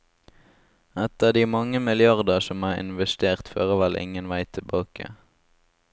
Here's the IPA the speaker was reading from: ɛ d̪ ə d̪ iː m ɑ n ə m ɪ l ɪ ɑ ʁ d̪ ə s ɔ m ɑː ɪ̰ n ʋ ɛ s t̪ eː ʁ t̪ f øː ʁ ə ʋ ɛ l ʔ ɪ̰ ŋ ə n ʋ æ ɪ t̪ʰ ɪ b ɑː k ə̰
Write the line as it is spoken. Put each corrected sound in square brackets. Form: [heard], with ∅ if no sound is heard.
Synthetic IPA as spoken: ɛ [t̪] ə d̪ iː m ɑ [ŋ] ə m ɪ l ɪ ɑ ʁ d̪ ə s ɔ m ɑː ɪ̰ n ʋ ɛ s t̪ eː ʁ t̪ f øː ʁ ə ʋ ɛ l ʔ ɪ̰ ŋ ə n ʋ æ ɪ t̪ʰ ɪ b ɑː k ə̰